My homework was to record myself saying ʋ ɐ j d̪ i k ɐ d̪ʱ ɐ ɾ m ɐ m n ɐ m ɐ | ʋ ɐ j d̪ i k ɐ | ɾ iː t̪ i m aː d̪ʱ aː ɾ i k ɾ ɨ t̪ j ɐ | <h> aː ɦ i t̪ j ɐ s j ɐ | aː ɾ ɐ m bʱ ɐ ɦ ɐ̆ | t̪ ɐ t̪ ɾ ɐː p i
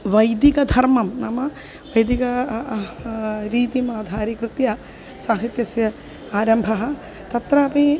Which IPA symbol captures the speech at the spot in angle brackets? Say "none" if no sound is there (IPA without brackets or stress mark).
s